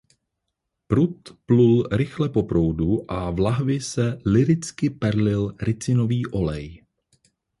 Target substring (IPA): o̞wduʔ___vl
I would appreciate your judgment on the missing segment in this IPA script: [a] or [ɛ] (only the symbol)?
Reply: a